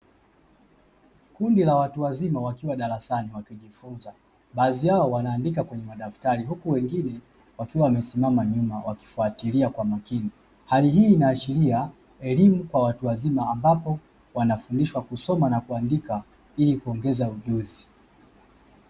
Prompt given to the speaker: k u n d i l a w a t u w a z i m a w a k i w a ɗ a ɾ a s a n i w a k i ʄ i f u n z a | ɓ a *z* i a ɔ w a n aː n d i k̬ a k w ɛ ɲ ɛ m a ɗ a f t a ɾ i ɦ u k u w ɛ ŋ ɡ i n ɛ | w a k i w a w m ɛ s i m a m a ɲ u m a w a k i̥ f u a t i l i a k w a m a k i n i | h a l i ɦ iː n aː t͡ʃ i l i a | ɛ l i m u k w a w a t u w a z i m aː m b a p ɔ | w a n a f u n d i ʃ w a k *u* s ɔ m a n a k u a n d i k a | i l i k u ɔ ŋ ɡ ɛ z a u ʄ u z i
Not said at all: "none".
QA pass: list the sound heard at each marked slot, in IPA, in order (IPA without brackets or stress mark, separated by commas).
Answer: z, u